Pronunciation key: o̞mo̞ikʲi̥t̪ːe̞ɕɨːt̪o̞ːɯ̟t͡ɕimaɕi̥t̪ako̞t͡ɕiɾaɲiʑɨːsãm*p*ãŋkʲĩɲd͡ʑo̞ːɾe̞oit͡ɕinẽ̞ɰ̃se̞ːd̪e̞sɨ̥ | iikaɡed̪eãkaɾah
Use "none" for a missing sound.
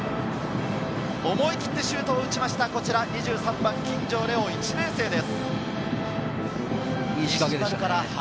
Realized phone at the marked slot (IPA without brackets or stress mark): b